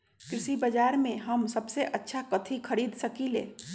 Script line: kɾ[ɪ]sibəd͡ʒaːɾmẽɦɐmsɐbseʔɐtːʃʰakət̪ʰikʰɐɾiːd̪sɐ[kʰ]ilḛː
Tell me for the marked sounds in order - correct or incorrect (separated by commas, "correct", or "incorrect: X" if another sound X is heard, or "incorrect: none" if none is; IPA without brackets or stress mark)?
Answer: correct, incorrect: k